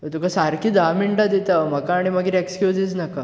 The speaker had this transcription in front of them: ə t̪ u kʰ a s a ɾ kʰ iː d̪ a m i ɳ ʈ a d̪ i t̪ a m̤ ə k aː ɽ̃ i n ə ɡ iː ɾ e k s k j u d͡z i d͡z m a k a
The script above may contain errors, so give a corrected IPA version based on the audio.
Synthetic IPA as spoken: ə t̪ u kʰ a s a ɾ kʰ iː d̪ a m i ɳ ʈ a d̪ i t̪ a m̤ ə k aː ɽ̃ i m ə ɡ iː ɾ e k s k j u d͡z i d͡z n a k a